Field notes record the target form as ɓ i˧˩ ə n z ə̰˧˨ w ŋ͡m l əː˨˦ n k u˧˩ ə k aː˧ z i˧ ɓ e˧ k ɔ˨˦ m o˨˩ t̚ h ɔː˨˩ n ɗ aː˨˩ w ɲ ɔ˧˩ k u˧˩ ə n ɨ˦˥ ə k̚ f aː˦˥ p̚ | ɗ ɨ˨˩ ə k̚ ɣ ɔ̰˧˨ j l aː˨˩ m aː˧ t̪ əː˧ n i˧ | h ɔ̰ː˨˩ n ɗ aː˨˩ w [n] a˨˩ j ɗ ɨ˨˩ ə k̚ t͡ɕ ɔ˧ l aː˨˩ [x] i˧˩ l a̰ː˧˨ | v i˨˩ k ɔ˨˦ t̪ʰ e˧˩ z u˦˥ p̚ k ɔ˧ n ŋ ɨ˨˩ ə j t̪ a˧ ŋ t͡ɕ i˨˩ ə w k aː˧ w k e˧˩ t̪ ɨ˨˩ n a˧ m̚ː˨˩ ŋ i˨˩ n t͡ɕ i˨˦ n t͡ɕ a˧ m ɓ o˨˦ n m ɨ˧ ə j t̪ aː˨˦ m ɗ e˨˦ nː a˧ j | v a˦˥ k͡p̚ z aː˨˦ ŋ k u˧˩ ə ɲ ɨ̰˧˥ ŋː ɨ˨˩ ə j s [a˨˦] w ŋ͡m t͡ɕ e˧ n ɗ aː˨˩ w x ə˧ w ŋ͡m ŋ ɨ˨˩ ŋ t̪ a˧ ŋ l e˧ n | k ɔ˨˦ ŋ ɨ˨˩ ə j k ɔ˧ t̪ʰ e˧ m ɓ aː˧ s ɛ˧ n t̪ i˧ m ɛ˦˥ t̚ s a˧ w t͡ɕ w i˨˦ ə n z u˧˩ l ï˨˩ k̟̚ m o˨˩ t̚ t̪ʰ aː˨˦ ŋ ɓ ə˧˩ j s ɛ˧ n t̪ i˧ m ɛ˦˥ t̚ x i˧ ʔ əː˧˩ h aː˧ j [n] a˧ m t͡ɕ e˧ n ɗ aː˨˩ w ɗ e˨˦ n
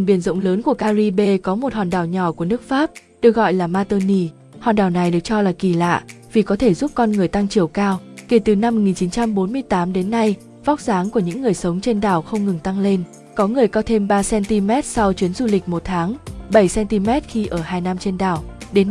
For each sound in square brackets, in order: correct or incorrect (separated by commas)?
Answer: correct, incorrect, incorrect, correct